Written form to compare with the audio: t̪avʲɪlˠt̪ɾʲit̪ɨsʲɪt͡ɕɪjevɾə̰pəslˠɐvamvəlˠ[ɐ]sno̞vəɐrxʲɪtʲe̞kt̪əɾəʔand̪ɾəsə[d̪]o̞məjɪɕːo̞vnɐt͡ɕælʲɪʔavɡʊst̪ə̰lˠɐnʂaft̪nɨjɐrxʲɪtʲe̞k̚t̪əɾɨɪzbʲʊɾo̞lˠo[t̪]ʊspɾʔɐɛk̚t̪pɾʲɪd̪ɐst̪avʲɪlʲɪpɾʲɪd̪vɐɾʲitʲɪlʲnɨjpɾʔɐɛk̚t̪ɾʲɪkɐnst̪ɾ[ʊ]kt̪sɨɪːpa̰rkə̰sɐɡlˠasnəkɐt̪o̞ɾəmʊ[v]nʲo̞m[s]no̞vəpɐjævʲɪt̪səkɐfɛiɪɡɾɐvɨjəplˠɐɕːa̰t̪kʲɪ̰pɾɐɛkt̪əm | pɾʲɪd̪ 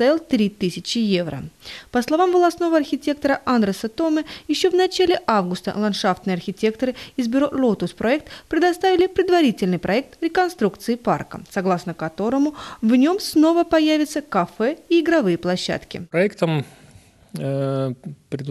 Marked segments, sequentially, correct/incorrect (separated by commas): correct, incorrect, correct, incorrect, correct, correct